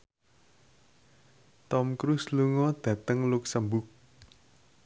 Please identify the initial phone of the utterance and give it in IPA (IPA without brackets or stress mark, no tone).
t̪